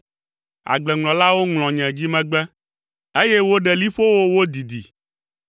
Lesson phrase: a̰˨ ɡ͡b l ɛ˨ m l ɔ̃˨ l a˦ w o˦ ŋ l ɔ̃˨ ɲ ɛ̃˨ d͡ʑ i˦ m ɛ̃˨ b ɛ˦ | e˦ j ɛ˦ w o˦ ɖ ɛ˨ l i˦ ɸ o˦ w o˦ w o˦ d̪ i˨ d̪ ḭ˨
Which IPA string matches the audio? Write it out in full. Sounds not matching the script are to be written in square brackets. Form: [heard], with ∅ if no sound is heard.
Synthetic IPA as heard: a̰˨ ɡ͡b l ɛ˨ [ŋ] l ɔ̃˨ l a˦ w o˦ ŋ l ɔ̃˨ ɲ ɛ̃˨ d͡ʑ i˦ m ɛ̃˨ [ɡ͡b] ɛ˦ | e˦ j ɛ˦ w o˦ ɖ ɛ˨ l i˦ ɸ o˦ w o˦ w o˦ d̪ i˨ d̪ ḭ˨